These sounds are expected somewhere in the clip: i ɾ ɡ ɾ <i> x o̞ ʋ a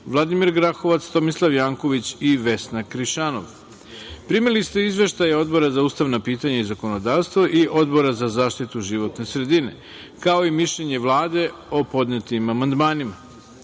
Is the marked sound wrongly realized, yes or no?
yes